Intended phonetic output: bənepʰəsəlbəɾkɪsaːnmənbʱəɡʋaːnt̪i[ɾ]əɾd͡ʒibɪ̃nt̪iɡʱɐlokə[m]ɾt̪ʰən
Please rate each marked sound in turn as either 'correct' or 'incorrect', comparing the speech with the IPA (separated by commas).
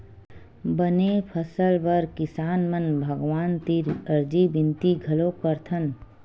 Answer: correct, incorrect